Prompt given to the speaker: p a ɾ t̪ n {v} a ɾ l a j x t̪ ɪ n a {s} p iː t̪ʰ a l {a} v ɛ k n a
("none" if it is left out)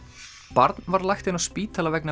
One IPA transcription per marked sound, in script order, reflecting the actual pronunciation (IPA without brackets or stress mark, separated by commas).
v, s, a